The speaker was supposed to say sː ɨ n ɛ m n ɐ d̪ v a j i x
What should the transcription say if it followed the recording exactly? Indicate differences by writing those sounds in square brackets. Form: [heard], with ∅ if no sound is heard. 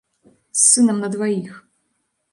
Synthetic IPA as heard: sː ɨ n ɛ m n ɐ d̪ v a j i x